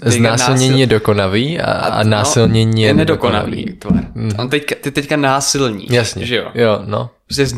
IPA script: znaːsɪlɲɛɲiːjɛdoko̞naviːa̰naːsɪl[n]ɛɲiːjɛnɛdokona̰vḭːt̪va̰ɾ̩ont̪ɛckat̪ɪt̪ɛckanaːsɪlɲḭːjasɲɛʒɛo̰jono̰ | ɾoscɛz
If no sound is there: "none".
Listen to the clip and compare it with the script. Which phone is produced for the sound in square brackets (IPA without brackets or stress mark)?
ɲ